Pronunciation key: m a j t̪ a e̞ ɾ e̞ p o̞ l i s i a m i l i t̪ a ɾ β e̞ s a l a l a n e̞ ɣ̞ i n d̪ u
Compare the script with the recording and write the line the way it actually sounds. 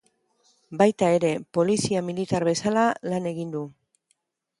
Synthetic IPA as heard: b a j t̪ a e̞ ɾ e̞ p o̞ l i s i a m i l i t̪ a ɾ β e̞ s a l a l a n e̞ ɣ̞ i n d̪ u